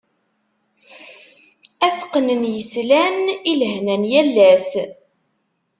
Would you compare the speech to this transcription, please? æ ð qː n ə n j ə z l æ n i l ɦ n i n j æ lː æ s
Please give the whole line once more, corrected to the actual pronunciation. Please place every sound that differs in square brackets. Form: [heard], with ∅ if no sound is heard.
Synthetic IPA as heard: æ [θ] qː n ə n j ə [s] l æ n i l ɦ n [æ] n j æ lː æ s